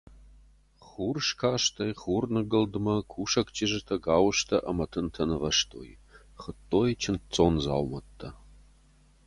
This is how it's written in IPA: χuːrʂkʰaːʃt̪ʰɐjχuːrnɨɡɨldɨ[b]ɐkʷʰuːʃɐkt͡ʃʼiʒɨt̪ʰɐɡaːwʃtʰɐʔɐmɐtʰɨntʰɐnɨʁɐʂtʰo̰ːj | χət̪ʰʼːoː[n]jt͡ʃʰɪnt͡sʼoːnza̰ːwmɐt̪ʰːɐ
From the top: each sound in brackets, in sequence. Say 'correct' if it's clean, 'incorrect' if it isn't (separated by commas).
incorrect, incorrect